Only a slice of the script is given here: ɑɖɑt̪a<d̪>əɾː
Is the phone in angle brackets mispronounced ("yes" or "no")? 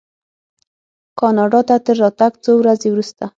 yes